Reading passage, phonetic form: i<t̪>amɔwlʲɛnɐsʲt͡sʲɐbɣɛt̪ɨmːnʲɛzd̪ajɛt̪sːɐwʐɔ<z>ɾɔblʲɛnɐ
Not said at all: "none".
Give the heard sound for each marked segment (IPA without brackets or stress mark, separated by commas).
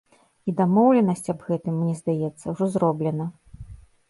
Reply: d̪, z